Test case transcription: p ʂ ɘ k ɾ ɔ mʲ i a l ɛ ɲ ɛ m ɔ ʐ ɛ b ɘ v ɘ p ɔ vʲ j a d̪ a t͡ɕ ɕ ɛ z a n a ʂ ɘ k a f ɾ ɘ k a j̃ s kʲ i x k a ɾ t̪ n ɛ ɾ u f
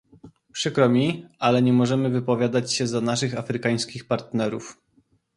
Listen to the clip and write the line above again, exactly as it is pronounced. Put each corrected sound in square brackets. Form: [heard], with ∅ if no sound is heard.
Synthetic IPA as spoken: p ʂ ɘ k ɾ ɔ mʲ i a l ɛ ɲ ɛ m ɔ ʐ ɛ [m] ɘ v ɘ p ɔ vʲ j a d̪ a t͡ɕ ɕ ɛ z a n a ʂ ɘ [x] a f ɾ ɘ k a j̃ s kʲ i x [p] a ɾ t̪ n ɛ ɾ u f